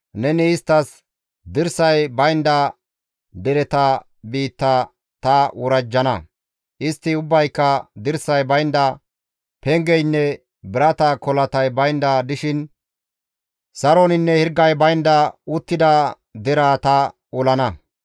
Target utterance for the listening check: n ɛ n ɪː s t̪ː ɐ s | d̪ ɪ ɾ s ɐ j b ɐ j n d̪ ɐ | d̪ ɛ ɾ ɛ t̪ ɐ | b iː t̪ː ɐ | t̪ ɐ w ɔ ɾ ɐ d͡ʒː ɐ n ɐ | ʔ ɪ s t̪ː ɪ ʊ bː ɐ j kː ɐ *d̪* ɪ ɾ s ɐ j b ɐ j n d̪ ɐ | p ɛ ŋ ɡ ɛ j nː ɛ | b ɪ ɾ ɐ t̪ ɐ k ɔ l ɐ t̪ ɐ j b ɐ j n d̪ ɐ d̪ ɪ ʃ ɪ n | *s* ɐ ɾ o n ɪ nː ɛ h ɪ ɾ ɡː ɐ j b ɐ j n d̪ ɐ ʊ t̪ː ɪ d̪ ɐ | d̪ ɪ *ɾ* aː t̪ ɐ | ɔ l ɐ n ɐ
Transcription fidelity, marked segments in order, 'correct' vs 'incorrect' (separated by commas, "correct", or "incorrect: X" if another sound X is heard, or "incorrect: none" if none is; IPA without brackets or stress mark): correct, correct, correct